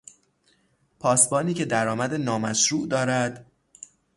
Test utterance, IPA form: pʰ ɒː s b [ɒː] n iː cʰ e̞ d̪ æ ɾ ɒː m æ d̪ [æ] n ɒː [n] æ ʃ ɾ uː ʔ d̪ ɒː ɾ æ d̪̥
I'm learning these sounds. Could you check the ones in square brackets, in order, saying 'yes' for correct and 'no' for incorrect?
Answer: yes, no, no

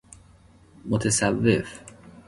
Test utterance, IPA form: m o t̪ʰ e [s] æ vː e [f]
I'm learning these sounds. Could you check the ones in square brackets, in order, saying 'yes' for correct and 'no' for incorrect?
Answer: yes, yes

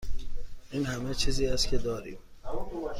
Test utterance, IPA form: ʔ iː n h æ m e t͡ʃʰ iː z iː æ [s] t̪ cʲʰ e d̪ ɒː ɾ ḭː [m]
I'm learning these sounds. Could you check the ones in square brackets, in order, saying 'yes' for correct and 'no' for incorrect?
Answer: yes, yes

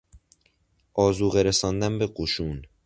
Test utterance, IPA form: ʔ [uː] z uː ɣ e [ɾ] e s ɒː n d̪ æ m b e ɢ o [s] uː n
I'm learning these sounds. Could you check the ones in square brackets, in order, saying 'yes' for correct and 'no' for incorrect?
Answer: no, yes, no

